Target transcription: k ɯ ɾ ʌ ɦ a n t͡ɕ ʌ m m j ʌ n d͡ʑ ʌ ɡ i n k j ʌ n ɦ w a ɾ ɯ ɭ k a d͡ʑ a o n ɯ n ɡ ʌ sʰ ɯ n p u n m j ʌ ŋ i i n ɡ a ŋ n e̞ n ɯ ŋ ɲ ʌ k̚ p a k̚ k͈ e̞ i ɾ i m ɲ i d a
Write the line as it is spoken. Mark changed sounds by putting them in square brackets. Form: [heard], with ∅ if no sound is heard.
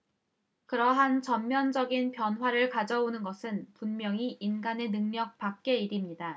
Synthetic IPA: k ɯ ɾ ʌ ɦ a n t͡ɕ ʌ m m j ʌ n d͡ʑ ʌ ɡ i n [p] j ʌ n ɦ w a ɾ ɯ ɭ k a d͡ʑ [ʌ] o n ɯ n ɡ ʌ sʰ ɯ n p u n m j ʌ ŋ i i n ɡ a [∅] n e̞ n ɯ ŋ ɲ ʌ k̚ p a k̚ k͈ e̞ i ɾ i m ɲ i d a